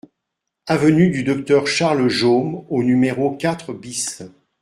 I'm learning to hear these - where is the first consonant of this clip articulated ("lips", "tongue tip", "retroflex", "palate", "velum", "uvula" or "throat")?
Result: lips